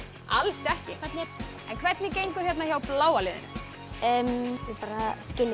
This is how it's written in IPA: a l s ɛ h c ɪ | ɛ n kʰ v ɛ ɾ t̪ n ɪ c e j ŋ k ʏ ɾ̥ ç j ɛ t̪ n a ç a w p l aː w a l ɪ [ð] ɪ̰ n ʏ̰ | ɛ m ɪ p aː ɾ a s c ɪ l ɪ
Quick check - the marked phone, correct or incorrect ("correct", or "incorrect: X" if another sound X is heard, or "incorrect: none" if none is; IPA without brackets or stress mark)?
correct